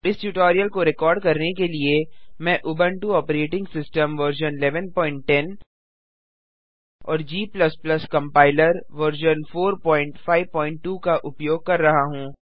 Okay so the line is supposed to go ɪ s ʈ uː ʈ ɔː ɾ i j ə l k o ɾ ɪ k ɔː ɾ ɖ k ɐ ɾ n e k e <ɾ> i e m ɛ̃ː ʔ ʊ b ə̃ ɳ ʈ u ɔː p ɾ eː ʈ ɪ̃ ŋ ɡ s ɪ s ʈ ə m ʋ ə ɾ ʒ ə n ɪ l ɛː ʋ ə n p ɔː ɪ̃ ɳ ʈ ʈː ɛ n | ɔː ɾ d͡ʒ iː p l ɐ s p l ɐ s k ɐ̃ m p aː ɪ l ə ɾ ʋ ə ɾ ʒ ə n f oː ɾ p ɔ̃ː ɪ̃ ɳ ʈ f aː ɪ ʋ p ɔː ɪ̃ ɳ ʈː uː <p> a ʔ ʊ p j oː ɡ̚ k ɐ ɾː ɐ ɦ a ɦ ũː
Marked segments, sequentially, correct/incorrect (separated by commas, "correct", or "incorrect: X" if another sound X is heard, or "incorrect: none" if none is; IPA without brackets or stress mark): incorrect: l, incorrect: k